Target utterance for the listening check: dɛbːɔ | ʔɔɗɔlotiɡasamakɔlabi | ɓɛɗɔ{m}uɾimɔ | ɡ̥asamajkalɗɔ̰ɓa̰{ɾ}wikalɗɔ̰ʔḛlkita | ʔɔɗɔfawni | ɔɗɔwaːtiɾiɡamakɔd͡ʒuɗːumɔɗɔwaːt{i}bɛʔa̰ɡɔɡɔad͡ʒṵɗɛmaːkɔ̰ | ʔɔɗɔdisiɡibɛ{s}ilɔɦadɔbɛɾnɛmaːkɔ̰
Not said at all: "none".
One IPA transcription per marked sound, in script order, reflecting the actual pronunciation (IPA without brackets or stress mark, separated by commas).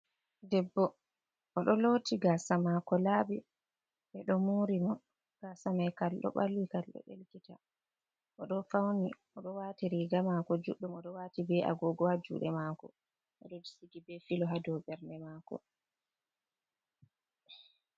m, l, i, f